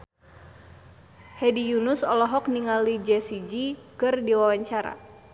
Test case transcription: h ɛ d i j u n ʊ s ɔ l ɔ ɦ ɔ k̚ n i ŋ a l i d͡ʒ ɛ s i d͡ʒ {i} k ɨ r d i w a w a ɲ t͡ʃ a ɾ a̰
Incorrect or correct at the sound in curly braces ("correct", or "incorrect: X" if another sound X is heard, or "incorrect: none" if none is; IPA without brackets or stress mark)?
correct